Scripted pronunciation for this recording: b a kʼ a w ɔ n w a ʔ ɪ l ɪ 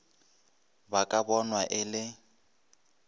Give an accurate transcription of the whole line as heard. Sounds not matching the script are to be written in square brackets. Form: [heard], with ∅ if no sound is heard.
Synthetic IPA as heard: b a kʼ a [b] ɔ n w a ʔ ɪ l ɪ